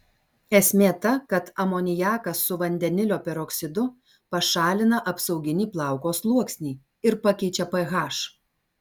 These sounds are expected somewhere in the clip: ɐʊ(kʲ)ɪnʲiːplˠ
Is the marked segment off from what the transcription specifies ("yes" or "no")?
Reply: yes